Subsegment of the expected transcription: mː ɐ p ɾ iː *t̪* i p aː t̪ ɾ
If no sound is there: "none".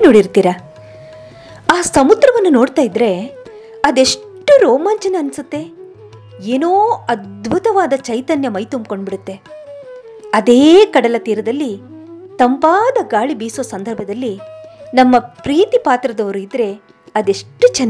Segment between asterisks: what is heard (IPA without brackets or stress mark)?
t̪